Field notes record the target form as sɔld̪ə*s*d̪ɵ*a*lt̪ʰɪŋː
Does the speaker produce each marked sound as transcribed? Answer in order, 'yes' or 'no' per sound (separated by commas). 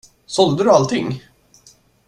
no, yes